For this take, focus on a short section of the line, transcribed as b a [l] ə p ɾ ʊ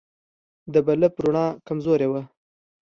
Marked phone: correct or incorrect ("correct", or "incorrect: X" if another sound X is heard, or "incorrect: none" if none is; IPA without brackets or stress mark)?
correct